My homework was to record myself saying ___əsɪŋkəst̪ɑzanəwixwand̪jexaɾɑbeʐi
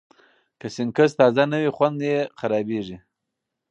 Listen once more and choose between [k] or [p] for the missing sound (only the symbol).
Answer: k